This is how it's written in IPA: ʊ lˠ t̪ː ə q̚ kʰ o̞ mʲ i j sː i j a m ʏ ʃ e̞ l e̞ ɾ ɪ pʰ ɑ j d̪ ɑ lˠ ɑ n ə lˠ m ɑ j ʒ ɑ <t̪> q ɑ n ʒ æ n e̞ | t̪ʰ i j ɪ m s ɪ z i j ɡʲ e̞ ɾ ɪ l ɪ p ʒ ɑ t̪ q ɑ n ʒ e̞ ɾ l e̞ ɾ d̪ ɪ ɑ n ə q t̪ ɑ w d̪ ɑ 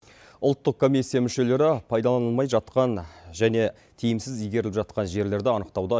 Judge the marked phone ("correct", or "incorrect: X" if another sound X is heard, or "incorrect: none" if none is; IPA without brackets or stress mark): correct